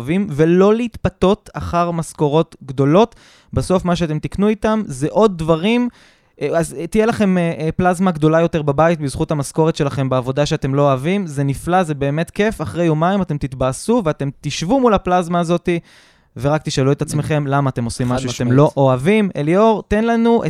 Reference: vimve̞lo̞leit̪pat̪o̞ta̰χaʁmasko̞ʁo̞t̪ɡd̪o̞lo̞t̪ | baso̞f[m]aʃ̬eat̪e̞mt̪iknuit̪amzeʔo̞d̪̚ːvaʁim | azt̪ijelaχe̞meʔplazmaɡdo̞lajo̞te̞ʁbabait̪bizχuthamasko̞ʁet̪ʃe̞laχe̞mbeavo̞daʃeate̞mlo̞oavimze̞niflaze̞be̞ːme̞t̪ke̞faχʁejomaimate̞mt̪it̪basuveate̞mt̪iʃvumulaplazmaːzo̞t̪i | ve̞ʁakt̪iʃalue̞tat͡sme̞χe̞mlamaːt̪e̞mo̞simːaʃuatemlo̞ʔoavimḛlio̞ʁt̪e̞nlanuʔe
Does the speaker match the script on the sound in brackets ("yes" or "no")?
yes